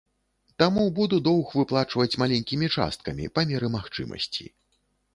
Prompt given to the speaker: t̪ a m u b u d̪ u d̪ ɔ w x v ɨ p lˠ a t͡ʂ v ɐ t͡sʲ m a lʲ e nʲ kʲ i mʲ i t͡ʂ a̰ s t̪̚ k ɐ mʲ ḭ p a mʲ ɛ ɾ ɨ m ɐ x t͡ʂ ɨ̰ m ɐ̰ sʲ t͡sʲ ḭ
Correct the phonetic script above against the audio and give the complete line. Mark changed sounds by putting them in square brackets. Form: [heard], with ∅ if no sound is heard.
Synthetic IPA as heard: t̪ a m u b u d̪ u d̪ ɔ w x v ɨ p lˠ a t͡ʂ v ɐ t͡sʲ m a lʲ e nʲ kʲ i mʲ i t͡ʂ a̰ s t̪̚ k ɐ mʲ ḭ p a mʲ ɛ ɾ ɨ m [a] x t͡ʂ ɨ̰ m ɐ̰ sʲ t͡sʲ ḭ